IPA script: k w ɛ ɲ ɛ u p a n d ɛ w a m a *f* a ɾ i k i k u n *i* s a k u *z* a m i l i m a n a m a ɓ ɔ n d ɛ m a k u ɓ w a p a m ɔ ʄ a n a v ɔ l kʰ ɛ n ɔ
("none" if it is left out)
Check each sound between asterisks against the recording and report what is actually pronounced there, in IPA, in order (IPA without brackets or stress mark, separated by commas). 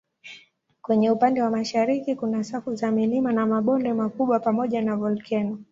ʃ, a, z